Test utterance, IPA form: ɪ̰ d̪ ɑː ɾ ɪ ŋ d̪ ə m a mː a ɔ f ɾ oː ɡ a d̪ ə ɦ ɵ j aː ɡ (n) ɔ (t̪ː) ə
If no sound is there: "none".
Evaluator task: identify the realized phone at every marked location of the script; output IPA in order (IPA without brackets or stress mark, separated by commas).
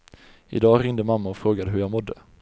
m, d̪ː